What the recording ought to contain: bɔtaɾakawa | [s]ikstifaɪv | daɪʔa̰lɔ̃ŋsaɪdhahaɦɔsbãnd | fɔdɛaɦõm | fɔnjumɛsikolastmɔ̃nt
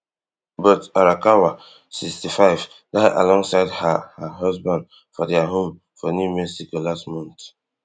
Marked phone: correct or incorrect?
correct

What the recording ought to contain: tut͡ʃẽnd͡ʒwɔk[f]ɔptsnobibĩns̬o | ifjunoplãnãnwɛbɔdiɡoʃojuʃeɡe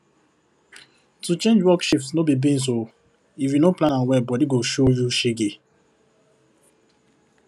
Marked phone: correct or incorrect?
incorrect: ʃ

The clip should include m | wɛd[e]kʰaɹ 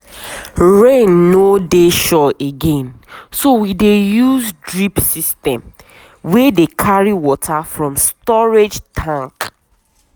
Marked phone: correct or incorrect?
correct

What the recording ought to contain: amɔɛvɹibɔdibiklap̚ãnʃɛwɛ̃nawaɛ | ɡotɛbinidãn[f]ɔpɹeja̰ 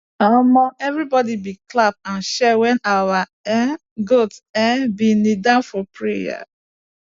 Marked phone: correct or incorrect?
correct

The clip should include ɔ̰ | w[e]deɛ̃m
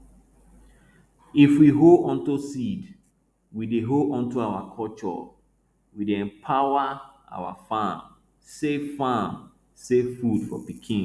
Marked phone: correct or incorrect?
incorrect: i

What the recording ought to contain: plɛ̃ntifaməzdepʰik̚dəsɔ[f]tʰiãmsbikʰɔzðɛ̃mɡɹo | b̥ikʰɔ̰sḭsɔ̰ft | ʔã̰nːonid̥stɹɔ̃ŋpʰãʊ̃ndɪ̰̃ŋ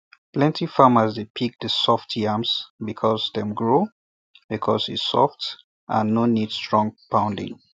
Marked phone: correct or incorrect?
correct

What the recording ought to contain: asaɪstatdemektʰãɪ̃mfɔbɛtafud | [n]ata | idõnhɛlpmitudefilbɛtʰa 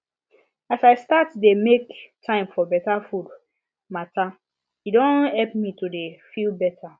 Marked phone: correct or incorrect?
incorrect: m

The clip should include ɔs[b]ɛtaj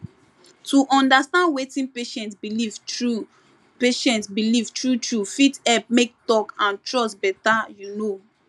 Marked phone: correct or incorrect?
correct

